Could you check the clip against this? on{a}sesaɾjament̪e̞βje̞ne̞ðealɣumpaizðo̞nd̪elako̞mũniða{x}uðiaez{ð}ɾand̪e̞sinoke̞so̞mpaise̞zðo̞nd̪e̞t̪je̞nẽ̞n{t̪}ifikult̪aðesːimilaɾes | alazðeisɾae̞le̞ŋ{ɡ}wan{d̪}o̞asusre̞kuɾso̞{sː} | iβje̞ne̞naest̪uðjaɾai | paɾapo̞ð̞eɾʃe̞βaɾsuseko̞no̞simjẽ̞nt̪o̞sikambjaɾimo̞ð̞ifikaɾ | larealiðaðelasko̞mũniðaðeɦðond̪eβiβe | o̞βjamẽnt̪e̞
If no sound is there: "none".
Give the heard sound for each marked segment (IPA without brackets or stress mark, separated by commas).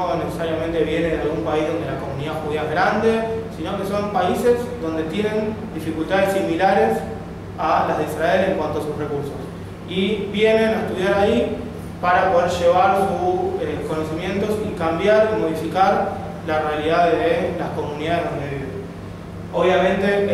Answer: e, x, ɣ, d̪, k, t̪, s